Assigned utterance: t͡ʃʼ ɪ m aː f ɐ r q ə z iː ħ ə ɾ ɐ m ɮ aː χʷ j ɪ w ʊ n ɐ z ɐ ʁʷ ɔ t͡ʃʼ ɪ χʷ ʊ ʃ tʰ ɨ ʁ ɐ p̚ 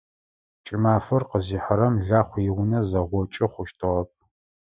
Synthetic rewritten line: t͡ʃʼ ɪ m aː f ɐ r q ə z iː ħ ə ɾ ɐ m ɮ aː χʷ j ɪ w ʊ n ɐ z ɐ ʁʷ ɔ t͡ʃʼ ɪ χʷ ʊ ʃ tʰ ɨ ʁ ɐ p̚